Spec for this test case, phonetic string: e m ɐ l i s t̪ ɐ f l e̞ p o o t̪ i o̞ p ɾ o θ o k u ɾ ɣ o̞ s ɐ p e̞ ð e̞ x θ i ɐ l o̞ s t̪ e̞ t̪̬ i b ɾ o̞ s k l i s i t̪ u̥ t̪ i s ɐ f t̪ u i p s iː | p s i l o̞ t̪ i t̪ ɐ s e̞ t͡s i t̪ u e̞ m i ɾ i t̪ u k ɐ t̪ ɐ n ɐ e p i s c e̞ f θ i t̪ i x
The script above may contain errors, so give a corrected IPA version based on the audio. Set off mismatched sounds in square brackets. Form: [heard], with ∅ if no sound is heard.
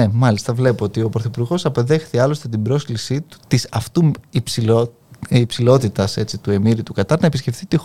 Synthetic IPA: e m ɐ l i s t̪ ɐ [v] l e̞ p o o t̪ i o̞ p ɾ o θ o [p] u ɾ ɣ o̞ s ɐ p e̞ ð e̞ x θ i ɐ l o̞ s t̪ e̞ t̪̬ i b ɾ o̞ s k l i s i t̪ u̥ t̪ i s ɐ f t̪ u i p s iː | p s i l o̞ t̪ i t̪ ɐ s e̞ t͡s i t̪ u e̞ m i ɾ i t̪ u k ɐ t̪ ɐ n ɐ e p i s c e̞ f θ i t̪ i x